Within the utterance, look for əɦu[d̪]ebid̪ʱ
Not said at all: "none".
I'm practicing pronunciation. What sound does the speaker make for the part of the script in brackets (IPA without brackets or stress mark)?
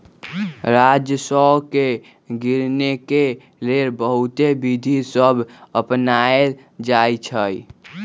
t̪